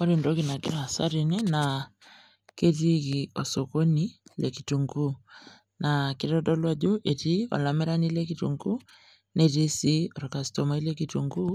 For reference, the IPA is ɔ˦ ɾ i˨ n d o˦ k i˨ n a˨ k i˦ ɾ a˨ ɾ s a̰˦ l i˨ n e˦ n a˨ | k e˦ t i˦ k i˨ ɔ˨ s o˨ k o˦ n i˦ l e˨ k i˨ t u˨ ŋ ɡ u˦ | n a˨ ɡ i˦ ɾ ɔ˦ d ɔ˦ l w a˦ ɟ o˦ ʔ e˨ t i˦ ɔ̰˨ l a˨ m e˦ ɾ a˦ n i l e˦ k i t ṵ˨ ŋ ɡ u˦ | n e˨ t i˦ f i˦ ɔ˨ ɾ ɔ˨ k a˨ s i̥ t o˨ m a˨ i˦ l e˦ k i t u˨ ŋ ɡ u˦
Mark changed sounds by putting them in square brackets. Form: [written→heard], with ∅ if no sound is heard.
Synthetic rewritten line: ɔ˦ ɾ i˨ n d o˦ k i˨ n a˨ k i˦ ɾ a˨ [ɾ→∅] s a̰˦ [l→ɾ] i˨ n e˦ n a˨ | k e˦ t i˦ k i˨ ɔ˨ s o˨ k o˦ n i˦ l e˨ k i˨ t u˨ ŋ ɡ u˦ | n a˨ [ɡ→k] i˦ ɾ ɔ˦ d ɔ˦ l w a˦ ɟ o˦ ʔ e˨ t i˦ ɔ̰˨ l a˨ m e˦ ɾ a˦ n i l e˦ k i t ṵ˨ ŋ ɡ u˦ | n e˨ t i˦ [f→s] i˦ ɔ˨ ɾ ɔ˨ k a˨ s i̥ t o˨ m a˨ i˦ l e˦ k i t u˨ ŋ ɡ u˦